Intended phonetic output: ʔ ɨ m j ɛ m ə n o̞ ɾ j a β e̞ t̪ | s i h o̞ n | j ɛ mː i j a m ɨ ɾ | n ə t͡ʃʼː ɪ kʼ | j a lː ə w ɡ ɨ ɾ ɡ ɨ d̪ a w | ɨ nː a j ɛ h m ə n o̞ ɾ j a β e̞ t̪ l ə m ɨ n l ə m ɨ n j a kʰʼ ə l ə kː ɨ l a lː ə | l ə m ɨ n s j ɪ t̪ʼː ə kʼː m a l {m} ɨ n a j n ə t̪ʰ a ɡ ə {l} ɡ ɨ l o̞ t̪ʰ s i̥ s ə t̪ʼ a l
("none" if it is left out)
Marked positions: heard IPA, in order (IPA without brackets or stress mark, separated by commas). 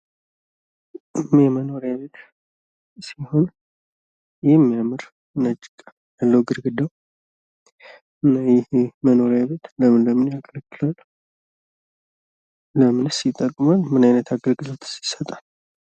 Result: m, ɾ